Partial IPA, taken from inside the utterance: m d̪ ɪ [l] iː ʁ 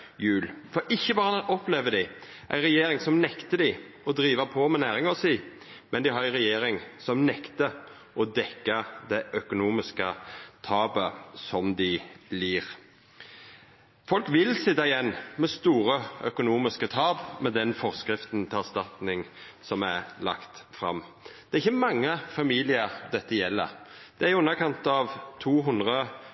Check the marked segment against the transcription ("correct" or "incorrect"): correct